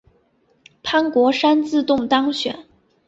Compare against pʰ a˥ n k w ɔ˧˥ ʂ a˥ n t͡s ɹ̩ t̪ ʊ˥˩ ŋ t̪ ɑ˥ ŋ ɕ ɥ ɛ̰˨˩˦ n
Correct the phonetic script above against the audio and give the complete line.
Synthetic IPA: pʰ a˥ n k w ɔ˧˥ ʂ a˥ n t͡s ɹ̩ t̪ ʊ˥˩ ŋ t̪ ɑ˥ ŋ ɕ ɥ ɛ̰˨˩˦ n